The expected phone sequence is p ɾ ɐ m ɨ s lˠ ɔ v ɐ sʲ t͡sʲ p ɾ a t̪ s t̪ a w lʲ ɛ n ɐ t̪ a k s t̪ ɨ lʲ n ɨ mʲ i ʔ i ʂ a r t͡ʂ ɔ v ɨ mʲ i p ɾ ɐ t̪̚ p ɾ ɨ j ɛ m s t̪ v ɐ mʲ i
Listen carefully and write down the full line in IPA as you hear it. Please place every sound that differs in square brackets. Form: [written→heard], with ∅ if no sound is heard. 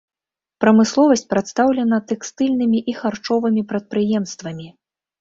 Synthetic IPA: p ɾ ɐ m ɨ s lˠ ɔ v ɐ sʲ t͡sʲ p ɾ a t̪ s t̪ a w lʲ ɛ n ɐ t̪ [a→ɛ] k s t̪ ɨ lʲ n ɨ mʲ i ʔ i [ʂ→x] a r t͡ʂ ɔ v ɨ mʲ i p ɾ ɐ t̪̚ p ɾ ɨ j ɛ m s t̪ v ɐ mʲ i